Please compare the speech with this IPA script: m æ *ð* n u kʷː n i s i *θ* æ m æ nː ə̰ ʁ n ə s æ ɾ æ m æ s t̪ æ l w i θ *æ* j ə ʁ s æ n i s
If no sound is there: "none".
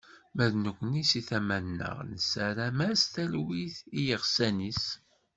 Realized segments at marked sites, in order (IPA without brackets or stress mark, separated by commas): ð, θ, i